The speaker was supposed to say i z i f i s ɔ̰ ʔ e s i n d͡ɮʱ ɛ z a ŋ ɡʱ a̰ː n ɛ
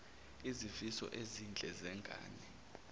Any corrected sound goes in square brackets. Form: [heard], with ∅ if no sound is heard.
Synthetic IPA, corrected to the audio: i z i f i s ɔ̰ ʔ e [z] i n d͡ɮʱ ɛ z [ɛ] ŋ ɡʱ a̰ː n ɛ